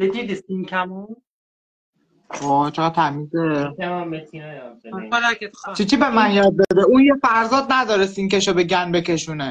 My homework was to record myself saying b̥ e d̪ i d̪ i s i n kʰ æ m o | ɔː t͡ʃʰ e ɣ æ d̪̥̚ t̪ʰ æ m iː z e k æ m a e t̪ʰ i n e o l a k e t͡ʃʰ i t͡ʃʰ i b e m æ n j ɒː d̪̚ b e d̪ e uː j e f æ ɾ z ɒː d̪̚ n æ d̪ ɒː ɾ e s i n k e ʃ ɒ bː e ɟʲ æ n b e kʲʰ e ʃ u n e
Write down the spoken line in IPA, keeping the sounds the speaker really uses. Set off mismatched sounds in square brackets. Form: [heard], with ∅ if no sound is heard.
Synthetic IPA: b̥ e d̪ i d̪ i s i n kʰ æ m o | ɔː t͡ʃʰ e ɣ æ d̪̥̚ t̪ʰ æ m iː z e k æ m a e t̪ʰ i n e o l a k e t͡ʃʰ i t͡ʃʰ i b e m æ n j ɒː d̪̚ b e d̪ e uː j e f æ ɾ z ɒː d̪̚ n æ d̪ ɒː ɾ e s i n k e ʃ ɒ [b] e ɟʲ æ n b e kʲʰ e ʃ u n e

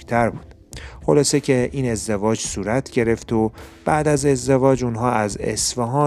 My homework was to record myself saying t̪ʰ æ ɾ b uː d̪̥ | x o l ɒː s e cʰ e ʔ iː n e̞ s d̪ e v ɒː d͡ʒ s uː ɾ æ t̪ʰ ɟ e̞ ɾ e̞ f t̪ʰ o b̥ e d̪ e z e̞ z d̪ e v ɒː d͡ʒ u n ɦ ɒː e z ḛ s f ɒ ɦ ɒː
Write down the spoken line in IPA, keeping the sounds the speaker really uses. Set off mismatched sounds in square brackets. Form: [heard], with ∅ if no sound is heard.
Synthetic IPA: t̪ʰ æ ɾ b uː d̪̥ | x o l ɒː s e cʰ e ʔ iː n e̞ [z] d̪ e v ɒː d͡ʒ s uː ɾ æ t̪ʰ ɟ e̞ ɾ e̞ f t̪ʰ o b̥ [æ] d̪ [æ] z e̞ z d̪ e v ɒː d͡ʒ u n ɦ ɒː [æ] z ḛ s f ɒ ɦ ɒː

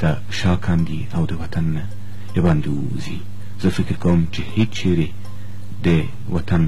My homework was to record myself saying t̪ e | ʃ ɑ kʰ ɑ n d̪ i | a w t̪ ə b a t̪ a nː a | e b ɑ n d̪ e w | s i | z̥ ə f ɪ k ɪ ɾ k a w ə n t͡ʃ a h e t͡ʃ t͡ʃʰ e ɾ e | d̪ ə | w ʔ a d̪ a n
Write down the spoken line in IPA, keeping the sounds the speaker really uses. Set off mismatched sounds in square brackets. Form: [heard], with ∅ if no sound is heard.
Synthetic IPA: t̪ [a] | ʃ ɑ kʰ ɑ n d̪ i | a w [d̪] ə [w] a t̪ a nː a | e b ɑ n d̪ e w | [z] i | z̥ ə f ɪ k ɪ ɾ k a w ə [m] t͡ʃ [e] h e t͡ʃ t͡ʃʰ e ɾ e | d̪ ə | w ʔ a [t̪] a n

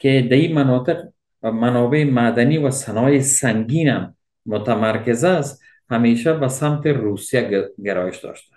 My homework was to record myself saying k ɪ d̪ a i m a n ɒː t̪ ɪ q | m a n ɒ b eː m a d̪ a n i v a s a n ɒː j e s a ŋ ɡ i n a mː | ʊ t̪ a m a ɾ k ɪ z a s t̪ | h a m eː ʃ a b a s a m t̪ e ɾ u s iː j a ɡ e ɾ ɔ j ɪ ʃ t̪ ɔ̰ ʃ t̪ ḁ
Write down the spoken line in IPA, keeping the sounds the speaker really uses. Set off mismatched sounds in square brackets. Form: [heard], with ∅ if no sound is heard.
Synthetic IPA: k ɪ d̪ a i m a n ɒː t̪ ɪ q | m a n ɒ b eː m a d̪ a n i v a s a n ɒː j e s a ŋ ɡ i n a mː | ʊ t̪ a m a ɾ k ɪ z a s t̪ | h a m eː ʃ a b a s a m t̪ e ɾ u s [i] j a ɡ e ɾ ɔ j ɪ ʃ [d̪] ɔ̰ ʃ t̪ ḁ

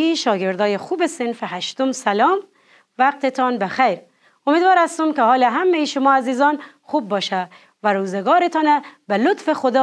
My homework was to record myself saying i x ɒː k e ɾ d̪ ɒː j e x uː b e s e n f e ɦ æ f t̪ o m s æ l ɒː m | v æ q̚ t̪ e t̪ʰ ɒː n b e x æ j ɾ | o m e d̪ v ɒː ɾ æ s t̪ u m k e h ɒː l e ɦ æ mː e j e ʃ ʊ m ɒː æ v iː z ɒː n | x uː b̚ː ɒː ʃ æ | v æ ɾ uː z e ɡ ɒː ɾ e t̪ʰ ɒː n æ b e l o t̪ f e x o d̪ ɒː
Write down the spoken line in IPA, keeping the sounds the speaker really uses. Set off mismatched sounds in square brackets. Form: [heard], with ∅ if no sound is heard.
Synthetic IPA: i [ʃ] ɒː [ɡ] e ɾ d̪ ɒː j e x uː b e s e n f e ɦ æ [ʃ] t̪ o m s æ l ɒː m | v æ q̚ t̪ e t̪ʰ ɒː n b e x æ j ɾ | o m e d̪ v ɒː ɾ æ s t̪ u m k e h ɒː l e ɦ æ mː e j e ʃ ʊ m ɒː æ [z] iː z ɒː n | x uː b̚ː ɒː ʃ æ | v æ ɾ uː z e ɡ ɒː ɾ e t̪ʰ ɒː n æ b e l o t̪ f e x o d̪ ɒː

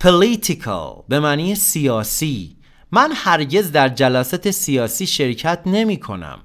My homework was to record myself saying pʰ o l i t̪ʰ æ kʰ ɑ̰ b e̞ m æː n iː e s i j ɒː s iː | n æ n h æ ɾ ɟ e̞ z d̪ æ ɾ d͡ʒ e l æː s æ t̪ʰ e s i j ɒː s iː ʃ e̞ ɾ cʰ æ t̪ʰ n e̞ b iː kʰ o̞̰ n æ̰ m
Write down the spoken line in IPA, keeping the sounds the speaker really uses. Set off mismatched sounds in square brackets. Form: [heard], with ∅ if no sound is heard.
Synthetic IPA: pʰ o l i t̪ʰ [i] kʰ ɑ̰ b e̞ m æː n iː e s i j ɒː s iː | [m] æ n h æ ɾ ɟ e̞ z d̪ æ ɾ d͡ʒ [æ] l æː s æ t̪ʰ e s i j ɒː s iː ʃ e̞ ɾ cʰ æ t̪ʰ n e̞ [m] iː kʰ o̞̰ n æ̰ m

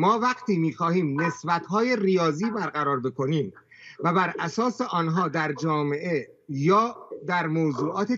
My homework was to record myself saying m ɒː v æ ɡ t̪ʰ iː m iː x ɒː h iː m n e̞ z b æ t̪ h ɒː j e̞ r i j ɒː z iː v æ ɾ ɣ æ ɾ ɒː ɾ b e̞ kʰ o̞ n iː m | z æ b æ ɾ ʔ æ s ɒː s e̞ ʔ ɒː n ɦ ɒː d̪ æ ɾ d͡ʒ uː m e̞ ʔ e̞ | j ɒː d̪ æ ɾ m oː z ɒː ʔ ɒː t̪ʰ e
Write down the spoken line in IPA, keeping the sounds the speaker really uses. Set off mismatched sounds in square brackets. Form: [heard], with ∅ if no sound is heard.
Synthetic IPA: m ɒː v æ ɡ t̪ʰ iː m iː x ɒː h iː m n e̞ [s] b æ t̪ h ɒː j e̞ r i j ɒː z iː [b] æ ɾ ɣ æ ɾ ɒː ɾ b e̞ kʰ o̞ n iː m | [v] æ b æ ɾ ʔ æ s ɒː s e̞ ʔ ɒː n ɦ ɒː d̪ æ ɾ d͡ʒ [ɒː] m e̞ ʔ e̞ | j ɒː d̪ æ ɾ m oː z [uː] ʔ ɒː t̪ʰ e

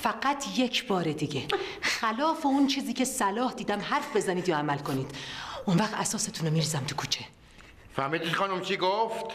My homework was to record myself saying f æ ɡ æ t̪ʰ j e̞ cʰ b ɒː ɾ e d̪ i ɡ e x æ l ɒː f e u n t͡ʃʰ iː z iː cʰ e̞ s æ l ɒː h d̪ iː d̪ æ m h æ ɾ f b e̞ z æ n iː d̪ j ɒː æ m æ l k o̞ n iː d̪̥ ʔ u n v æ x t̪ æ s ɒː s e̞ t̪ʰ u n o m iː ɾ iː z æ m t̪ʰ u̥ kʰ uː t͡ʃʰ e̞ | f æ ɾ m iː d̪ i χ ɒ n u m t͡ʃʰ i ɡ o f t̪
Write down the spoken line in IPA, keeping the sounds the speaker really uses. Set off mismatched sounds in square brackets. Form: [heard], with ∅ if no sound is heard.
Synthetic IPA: f æ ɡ æ t̪ʰ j e̞ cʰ b ɒː ɾ e d̪ i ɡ e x æ l ɒː f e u n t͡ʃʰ iː z iː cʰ e̞ s æ l ɒː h d̪ iː d̪ æ m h æ ɾ f b e̞ z æ n iː d̪ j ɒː æ m æ l k o̞ n iː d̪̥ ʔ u n v æ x t̪ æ s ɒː s e̞ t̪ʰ u n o m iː ɾ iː z æ m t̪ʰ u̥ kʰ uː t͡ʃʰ e̞ | f æ ɾ m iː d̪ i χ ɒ n u m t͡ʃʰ i ɡ o f t̪

